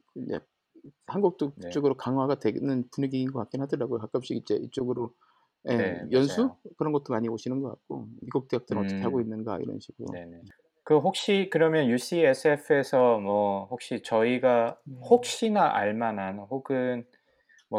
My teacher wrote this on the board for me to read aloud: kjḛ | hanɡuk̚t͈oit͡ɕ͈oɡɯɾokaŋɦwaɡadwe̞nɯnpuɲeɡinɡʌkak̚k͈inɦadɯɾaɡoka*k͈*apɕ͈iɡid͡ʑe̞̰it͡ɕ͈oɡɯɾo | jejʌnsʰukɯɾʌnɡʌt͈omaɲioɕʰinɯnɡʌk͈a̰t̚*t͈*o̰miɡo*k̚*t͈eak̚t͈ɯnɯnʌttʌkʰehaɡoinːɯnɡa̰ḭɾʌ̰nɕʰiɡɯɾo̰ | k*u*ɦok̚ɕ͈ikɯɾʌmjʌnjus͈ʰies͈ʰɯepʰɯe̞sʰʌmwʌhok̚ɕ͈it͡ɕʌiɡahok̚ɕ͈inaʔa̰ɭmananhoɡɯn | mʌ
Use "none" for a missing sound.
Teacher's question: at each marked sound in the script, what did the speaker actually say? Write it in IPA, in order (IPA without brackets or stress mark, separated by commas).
k͈, k͈, k̚, ɯ